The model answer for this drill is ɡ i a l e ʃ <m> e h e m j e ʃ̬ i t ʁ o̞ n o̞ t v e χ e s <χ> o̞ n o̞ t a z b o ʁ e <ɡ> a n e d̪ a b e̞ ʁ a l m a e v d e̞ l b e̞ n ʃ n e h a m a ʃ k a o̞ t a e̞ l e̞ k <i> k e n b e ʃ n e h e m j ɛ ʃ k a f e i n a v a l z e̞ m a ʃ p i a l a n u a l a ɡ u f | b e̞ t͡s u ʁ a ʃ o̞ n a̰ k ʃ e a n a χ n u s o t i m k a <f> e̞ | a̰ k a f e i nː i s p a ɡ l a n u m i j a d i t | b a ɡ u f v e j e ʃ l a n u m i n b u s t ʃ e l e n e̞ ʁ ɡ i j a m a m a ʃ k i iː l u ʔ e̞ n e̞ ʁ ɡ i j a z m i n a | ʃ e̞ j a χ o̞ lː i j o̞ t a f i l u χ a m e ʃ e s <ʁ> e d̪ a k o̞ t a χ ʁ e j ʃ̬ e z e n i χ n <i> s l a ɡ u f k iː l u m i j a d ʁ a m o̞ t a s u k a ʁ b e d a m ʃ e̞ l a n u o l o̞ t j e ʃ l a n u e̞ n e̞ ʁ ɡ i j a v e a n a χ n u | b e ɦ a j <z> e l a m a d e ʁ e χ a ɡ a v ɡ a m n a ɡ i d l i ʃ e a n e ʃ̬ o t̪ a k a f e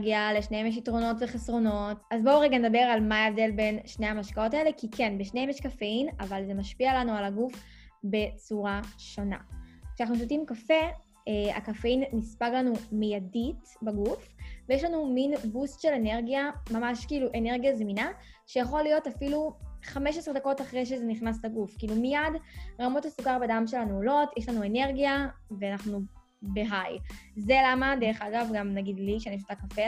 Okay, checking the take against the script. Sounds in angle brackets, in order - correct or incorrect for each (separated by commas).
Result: incorrect, incorrect, correct, correct, correct, correct, incorrect, correct